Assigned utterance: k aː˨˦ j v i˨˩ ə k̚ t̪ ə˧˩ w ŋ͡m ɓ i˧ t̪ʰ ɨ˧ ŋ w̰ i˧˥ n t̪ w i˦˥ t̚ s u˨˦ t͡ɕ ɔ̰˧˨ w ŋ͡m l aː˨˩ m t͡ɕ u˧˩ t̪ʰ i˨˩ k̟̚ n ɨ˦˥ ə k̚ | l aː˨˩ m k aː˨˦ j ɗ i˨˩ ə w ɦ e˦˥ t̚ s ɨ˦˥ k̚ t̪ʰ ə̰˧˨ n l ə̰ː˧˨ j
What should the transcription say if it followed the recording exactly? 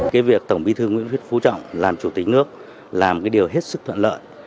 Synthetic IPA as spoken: k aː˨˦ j v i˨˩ ə k̚ t̪ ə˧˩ w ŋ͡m ɓ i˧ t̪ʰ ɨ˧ ŋ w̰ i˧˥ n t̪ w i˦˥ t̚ f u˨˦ t͡ɕ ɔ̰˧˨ w ŋ͡m l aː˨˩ m t͡ɕ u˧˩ t̪ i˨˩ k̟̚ n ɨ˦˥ ə k̚ | l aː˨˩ m k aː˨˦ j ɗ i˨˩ ə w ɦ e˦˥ t̚ s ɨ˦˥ k̚ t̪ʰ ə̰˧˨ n l ə̰ː˧˨ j